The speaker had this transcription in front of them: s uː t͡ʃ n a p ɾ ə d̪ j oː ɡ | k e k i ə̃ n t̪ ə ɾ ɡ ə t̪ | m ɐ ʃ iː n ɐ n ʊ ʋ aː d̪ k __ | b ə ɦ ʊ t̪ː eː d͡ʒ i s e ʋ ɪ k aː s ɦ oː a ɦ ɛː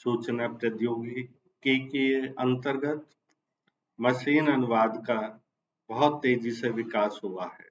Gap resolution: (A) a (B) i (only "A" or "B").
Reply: A